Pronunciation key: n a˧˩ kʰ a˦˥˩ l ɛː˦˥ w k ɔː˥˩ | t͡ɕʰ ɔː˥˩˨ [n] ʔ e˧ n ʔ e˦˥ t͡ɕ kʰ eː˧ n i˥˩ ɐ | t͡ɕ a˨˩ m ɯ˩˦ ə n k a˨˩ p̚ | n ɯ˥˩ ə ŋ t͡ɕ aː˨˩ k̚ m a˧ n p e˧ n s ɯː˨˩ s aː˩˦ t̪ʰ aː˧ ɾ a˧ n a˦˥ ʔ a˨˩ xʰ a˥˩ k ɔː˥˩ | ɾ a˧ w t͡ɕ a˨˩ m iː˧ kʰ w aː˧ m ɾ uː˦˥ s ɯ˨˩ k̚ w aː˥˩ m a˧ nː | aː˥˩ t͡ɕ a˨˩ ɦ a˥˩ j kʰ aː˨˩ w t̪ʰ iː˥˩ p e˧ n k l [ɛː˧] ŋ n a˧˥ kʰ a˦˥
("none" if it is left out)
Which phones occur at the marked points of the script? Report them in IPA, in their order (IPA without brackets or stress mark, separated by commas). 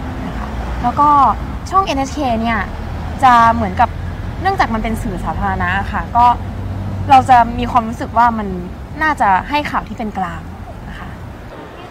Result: ŋ, aː˧